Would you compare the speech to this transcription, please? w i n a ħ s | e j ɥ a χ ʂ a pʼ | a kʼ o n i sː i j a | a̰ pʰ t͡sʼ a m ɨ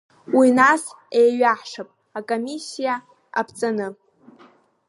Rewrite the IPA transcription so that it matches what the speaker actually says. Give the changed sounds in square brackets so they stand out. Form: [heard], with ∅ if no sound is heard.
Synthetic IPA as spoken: w i n a [∅] s | e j ɥ a [ħ] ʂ a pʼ | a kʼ o [m] i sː i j a | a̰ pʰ t͡sʼ a [n] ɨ